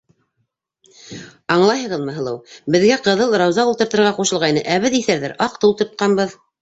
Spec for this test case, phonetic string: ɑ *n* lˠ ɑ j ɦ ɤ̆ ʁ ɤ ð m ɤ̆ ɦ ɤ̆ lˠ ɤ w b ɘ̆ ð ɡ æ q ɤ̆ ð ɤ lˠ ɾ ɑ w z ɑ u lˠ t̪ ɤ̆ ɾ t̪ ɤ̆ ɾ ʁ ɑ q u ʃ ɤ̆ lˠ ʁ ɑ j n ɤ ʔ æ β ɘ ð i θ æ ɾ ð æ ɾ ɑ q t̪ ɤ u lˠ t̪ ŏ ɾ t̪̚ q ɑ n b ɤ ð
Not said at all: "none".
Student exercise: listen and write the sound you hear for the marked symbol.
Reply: ɴ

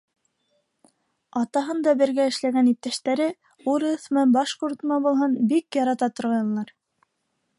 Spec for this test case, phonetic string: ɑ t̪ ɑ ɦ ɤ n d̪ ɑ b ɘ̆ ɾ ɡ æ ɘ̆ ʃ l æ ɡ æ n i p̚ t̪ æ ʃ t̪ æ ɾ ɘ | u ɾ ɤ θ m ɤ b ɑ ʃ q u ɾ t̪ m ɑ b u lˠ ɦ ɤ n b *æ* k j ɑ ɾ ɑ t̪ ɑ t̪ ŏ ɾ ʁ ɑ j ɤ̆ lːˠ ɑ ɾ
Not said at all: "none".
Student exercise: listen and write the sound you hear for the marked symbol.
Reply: i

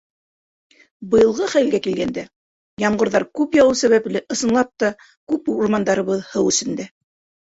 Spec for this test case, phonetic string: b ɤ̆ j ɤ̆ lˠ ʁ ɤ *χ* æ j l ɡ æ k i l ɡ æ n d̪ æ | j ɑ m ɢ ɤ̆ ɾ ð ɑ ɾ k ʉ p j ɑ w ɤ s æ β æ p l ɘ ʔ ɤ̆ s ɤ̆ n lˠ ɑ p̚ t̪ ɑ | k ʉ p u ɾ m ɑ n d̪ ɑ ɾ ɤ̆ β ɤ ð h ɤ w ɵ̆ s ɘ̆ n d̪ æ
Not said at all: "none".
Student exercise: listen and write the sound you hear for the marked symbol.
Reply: χ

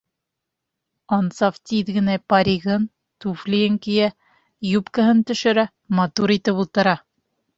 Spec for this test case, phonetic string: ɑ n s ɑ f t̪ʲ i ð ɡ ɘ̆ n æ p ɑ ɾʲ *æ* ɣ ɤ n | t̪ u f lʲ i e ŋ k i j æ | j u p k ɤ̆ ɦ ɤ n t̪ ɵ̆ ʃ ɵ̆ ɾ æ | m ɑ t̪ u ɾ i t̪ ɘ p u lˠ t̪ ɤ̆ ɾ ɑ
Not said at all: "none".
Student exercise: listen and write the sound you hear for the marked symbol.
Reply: i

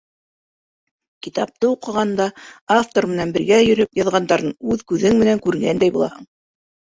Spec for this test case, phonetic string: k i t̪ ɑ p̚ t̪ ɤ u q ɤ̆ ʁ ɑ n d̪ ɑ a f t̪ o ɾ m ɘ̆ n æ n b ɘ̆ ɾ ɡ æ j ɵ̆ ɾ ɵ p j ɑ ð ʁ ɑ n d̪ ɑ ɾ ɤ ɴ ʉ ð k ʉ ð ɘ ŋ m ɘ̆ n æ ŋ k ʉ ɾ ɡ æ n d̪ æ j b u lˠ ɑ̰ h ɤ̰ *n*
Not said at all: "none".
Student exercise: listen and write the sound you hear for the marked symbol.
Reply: ɴ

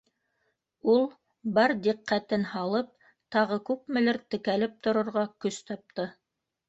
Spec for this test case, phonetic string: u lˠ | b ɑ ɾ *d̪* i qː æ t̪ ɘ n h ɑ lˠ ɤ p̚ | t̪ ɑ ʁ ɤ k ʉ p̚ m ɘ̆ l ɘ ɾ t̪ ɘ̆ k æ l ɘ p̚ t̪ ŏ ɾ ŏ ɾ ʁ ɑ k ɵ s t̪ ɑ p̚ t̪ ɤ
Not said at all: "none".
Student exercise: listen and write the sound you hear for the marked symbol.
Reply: d̪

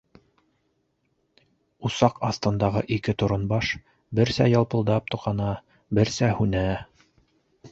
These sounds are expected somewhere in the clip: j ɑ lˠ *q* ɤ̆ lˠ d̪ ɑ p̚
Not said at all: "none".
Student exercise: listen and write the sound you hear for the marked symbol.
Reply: p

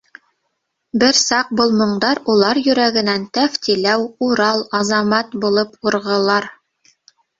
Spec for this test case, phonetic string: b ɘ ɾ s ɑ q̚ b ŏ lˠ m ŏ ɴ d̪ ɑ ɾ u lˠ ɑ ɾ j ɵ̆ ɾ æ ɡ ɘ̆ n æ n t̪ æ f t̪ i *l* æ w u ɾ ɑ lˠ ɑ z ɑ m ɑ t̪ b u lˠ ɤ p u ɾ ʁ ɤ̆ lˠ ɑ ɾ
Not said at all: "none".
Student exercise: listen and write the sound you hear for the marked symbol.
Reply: l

